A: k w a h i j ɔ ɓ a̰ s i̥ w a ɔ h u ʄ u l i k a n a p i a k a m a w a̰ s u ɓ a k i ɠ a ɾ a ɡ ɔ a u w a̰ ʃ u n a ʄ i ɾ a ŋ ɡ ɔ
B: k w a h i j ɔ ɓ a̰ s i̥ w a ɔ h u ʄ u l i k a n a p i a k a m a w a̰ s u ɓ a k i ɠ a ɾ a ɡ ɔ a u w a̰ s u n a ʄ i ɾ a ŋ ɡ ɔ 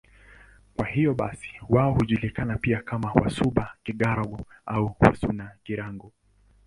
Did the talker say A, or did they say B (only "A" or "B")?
B